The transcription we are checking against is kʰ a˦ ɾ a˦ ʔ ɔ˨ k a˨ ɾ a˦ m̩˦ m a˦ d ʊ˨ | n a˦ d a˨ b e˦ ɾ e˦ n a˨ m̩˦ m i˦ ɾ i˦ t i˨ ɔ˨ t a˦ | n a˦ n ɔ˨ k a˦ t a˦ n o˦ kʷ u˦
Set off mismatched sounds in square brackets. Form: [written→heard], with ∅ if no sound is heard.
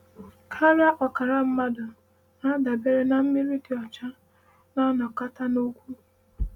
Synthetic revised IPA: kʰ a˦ ɾ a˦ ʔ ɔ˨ k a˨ ɾ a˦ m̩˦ m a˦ d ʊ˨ | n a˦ d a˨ b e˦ ɾ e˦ n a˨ m̩˦ m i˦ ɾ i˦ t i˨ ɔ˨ [t→t͡ʃ] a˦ | n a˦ n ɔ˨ k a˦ t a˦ n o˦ kʷ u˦